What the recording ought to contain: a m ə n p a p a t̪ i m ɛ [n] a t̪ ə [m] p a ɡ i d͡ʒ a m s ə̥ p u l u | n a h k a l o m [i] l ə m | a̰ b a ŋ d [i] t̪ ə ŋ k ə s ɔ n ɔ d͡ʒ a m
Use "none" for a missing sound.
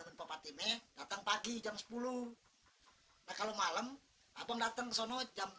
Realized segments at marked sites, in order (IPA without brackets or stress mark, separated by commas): d, ŋ, a, a